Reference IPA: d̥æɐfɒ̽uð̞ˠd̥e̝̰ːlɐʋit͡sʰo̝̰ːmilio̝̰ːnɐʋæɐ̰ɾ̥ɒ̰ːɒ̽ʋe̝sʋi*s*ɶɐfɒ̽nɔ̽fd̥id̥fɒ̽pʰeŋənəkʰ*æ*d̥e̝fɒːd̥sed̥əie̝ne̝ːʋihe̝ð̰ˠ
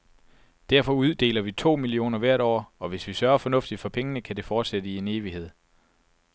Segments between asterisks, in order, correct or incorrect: correct, correct

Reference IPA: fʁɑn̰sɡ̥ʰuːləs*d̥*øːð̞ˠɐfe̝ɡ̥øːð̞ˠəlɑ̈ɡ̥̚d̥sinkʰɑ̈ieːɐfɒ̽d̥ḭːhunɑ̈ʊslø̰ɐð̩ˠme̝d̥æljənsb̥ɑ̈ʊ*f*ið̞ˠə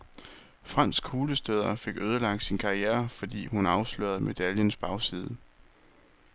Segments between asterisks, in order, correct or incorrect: correct, incorrect: s

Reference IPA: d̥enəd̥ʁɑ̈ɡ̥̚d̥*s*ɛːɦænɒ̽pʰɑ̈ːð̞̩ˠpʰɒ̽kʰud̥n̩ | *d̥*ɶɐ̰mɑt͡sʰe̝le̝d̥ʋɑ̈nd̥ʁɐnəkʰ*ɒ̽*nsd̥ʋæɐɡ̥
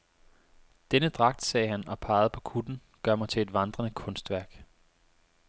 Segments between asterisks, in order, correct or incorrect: correct, incorrect: ɡ̥, incorrect: ɔ̽

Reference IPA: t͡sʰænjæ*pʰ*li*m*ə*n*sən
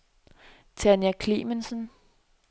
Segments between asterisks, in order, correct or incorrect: incorrect: kʰ, correct, correct

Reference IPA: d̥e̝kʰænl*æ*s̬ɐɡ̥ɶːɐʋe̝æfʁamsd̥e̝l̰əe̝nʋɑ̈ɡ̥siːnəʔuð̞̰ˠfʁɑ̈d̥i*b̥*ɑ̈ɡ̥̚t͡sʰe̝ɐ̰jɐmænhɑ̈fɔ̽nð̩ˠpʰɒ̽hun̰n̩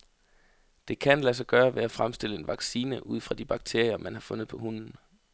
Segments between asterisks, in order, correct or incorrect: correct, correct

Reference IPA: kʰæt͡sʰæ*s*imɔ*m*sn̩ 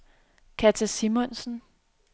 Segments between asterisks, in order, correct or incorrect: correct, incorrect: n

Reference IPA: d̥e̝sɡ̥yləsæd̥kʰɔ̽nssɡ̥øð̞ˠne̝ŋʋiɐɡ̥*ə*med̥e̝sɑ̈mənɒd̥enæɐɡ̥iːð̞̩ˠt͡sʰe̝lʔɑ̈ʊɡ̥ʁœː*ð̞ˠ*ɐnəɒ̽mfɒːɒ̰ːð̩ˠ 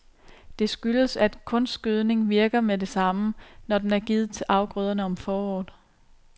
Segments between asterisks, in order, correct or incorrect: incorrect: ɐ, correct

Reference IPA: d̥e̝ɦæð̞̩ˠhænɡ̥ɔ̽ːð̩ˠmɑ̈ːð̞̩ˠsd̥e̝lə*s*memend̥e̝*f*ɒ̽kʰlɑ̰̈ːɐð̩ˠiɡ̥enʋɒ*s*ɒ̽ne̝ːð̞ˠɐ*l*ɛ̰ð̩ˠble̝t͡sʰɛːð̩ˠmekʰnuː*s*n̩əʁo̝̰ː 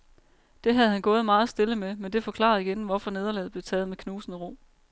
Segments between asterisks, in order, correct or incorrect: incorrect: none, correct, incorrect: f, correct, correct

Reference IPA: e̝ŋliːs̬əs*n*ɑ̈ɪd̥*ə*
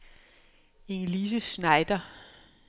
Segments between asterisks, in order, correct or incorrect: correct, incorrect: ɐ

